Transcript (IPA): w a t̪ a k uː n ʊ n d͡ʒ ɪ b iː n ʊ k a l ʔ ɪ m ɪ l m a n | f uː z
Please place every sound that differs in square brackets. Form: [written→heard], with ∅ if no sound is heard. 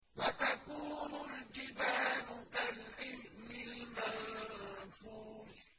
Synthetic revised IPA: w a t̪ a k uː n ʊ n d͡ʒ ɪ b [iː→aː] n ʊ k a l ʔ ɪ m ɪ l m a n | f uː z